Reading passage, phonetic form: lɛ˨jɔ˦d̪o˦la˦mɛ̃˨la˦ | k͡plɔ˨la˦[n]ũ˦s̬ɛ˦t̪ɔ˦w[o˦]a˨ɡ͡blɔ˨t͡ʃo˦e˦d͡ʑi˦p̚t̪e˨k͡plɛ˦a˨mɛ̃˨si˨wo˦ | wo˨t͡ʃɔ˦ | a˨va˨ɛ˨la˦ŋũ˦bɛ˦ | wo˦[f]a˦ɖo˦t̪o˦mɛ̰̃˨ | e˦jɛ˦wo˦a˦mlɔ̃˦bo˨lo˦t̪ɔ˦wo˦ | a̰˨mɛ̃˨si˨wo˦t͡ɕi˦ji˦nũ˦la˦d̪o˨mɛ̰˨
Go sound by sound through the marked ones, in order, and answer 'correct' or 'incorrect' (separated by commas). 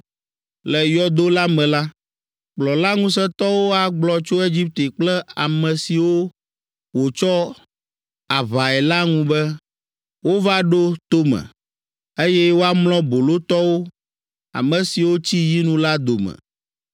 incorrect, correct, incorrect